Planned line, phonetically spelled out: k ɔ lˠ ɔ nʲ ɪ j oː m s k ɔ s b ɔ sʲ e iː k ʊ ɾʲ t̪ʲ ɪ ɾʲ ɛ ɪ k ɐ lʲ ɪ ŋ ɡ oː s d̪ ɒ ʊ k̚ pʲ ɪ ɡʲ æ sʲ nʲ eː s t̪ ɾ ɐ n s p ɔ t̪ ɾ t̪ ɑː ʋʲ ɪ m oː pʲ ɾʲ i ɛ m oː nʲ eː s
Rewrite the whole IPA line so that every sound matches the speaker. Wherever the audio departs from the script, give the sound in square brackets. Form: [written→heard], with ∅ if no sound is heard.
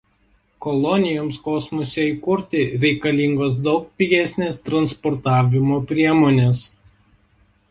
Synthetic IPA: k ɔ lˠ ɔ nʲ ɪ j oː m s k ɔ s [b→m] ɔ sʲ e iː k ʊ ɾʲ t̪ʲ ɪ ɾʲ ɛ ɪ k ɐ lʲ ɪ ŋ ɡ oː s d̪ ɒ ʊ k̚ pʲ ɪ ɡʲ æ sʲ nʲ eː s t̪ ɾ ɐ n s p ɔ [t̪→∅] ɾ t̪ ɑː ʋʲ ɪ m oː pʲ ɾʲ i ɛ m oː nʲ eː s